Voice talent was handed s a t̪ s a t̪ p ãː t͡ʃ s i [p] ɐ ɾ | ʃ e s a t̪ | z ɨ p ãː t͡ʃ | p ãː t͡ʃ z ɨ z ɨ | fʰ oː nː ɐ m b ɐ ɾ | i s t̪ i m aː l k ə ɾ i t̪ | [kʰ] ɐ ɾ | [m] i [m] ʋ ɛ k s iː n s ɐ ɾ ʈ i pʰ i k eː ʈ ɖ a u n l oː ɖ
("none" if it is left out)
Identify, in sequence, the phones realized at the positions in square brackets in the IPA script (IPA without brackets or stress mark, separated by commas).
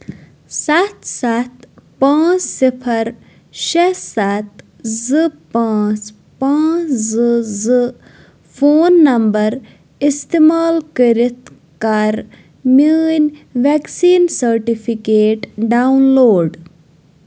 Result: pʰ, k, m, n